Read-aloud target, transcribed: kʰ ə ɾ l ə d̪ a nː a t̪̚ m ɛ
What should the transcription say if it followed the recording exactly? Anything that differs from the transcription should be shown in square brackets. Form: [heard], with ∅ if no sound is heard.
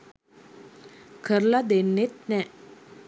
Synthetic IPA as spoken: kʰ ə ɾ l [a] d̪ [e] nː [e] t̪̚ [n] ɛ